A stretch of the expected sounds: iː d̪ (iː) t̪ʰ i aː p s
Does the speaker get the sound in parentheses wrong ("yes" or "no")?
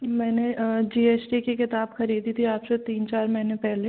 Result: yes